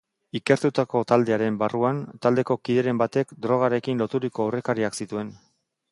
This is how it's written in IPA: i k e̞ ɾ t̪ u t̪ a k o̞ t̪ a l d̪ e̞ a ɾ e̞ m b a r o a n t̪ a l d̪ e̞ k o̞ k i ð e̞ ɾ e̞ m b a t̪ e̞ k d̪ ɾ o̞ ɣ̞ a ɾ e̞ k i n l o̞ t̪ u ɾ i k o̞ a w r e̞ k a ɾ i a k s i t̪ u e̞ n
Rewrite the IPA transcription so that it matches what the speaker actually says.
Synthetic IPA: i k e̞ ɾ t̪ u t̪ a k o̞ t̪ a l d̪ e̞ a ɾ e̞ m b a r u a n t̪ a l d̪ e̞ k o̞ k i ð e̞ ɾ e̞ m b a t̪ e̞ k d̪ ɾ o̞ ɣ̞ a ɾ e̞ k i n l o̞ t̪ u ɾ i k o̞ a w r e̞ k a ɾ i a k s i t̪ u e̞ n